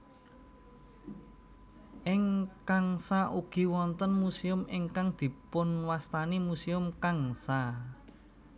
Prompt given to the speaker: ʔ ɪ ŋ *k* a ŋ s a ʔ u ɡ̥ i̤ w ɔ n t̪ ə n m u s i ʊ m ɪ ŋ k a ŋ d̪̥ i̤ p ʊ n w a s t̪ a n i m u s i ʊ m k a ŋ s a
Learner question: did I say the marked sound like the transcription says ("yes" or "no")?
yes